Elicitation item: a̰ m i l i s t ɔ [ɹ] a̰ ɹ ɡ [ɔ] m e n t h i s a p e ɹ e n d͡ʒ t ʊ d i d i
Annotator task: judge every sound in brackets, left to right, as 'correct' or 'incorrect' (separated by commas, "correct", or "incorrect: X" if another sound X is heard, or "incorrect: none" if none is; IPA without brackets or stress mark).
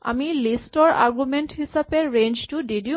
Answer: correct, incorrect: u